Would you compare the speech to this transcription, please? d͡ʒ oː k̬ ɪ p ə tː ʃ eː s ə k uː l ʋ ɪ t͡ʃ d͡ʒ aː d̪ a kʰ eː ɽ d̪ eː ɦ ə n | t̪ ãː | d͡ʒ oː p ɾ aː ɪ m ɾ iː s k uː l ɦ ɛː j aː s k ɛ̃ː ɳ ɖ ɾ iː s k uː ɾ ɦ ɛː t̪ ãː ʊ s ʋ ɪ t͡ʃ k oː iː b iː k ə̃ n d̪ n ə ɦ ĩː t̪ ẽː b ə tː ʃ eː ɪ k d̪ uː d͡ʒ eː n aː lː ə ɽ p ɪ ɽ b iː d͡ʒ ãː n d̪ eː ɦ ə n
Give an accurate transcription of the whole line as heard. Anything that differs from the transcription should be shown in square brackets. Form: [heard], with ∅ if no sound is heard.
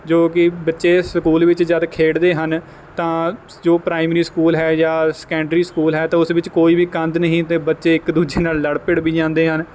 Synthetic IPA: d͡ʒ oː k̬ ɪ [b] ə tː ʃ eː s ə k uː l ʋ ɪ t͡ʃ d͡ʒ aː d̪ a kʰ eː ɽ d̪ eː ɦ ə n | t̪ ãː | d͡ʒ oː p ɾ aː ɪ m ɾ iː s k uː l ɦ ɛː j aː s k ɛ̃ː ɳ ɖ ɾ iː s k uː [l] ɦ ɛː t̪ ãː ʊ s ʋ ɪ t͡ʃ k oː iː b iː k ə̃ n d̪ n ə ɦ ĩː t̪ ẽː b ə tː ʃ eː ɪ k d̪ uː d͡ʒ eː n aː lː ə ɽ p ɪ ɽ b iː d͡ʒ ãː n d̪ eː ɦ ə n